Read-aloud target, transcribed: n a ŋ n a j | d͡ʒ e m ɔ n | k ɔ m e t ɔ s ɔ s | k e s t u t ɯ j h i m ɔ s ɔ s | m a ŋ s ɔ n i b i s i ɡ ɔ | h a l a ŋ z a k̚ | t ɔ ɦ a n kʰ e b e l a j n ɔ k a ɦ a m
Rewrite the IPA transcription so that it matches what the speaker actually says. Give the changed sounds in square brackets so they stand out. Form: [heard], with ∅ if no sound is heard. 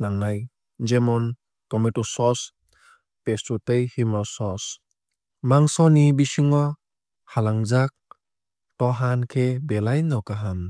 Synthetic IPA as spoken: n a ŋ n a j | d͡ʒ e m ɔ n | k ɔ m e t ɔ s ɔ s | [p] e s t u t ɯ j h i m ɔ s ɔ s | m a ŋ s ɔ n i b i s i [ŋ] ɔ | h a l a ŋ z a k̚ | t ɔ ɦ a n kʰ e b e l a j n ɔ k a ɦ a m